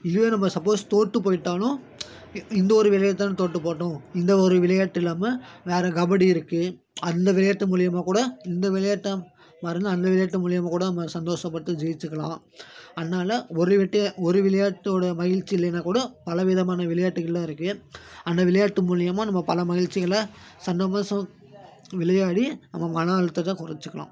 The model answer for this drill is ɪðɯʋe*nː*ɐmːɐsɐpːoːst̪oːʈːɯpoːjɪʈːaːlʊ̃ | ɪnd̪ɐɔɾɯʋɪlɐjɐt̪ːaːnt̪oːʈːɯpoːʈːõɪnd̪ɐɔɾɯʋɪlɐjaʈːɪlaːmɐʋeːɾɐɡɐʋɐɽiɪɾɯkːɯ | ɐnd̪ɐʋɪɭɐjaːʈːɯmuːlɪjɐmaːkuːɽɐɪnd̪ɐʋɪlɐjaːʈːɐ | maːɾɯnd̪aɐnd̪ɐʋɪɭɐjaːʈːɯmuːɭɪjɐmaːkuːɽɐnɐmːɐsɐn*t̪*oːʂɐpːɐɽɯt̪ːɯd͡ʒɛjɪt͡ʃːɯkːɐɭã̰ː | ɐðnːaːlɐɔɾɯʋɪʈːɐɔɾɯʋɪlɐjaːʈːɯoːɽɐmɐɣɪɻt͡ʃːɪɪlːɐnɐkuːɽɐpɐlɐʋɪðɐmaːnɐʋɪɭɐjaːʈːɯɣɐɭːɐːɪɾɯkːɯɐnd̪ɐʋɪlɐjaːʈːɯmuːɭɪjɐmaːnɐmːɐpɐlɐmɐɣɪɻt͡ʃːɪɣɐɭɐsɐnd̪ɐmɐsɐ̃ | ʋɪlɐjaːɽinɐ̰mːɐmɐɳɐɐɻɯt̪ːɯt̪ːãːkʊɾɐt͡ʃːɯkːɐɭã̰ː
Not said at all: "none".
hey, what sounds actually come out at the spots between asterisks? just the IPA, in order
n, d̪

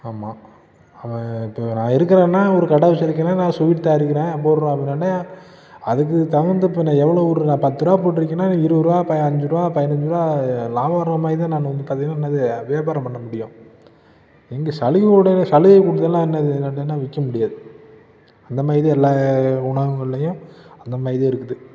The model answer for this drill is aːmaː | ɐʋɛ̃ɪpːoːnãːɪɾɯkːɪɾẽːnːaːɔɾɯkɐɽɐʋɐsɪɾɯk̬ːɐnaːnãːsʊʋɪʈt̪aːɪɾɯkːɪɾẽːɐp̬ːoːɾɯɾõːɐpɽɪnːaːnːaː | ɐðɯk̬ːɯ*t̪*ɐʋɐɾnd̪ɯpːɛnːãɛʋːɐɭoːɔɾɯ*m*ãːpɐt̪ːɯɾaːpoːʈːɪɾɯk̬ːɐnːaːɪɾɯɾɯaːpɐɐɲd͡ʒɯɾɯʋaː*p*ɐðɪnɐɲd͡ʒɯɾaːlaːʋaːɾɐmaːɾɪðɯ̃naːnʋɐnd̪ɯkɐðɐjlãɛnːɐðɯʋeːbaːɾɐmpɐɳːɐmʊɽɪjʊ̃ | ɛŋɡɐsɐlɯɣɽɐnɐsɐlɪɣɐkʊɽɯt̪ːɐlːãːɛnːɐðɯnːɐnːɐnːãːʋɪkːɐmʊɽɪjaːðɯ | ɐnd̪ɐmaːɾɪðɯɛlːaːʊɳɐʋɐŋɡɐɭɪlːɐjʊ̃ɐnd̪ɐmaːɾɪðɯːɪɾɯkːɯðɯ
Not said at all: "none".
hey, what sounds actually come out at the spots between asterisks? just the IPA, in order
t̪, n, p

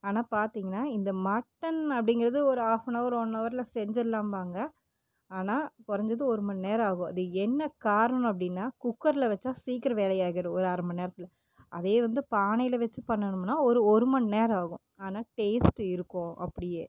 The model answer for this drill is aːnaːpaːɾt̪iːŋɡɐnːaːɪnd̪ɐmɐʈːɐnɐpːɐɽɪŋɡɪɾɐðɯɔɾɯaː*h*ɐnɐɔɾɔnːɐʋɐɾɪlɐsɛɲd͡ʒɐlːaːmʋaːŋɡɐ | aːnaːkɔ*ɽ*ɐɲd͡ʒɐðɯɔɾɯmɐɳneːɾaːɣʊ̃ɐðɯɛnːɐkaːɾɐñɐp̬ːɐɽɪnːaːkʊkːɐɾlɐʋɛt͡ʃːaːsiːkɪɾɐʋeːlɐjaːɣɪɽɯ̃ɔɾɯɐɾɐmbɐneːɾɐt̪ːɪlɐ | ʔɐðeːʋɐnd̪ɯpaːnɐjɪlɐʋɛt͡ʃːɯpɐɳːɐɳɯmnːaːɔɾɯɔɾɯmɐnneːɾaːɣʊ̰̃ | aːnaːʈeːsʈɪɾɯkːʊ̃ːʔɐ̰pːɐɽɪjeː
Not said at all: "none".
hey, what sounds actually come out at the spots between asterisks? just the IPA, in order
f, ɾ

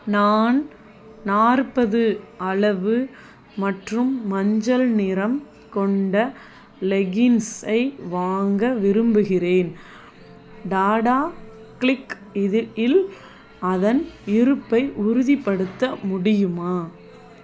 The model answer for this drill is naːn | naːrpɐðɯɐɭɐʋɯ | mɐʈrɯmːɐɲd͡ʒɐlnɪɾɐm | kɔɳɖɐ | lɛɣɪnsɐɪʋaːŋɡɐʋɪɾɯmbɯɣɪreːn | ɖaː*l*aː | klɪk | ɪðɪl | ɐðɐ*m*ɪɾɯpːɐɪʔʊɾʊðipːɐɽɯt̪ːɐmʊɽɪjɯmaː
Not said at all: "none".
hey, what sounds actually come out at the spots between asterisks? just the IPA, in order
ɽ, n

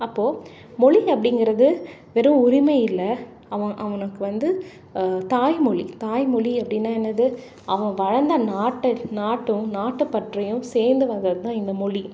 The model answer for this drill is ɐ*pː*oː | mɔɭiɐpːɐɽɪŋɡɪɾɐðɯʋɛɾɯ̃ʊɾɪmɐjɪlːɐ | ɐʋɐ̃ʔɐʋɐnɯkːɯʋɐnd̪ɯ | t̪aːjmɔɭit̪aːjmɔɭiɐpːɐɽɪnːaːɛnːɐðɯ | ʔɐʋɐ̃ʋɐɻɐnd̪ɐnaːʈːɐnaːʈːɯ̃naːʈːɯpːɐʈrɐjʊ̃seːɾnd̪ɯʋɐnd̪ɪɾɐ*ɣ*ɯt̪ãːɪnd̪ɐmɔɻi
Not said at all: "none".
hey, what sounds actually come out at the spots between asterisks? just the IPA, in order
pː, ð

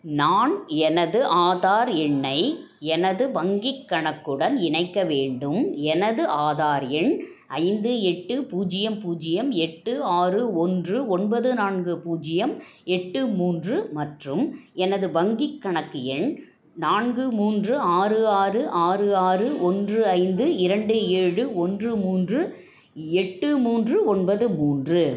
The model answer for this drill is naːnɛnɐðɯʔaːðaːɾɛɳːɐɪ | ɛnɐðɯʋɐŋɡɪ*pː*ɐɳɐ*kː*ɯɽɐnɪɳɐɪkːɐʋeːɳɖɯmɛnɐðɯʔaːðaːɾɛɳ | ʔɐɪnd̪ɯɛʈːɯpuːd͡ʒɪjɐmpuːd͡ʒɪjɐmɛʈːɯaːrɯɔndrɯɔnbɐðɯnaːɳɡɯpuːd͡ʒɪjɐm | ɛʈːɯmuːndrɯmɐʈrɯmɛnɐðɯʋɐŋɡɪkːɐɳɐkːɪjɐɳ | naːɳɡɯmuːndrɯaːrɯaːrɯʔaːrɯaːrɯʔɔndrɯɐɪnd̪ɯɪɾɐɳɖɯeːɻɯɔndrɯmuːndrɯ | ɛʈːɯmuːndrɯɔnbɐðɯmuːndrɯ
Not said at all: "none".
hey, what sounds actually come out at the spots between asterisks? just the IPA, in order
kː, kː

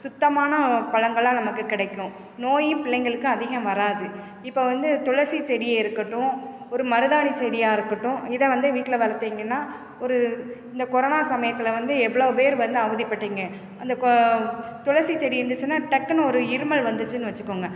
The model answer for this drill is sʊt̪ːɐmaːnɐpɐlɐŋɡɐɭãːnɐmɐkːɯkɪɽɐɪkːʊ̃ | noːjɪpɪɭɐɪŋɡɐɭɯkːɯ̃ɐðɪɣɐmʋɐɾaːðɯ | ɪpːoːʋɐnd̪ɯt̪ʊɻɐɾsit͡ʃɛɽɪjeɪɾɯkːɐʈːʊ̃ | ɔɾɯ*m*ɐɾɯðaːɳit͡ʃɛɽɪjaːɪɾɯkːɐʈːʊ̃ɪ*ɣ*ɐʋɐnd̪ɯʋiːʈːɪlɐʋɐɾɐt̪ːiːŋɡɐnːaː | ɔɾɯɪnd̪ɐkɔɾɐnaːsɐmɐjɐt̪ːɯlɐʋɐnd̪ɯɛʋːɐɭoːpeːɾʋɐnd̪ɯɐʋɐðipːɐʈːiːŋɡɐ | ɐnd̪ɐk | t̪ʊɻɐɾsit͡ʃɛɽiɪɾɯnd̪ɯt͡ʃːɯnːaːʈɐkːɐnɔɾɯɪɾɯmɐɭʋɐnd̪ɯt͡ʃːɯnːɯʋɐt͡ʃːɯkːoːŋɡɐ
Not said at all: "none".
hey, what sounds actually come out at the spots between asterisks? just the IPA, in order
m, ð

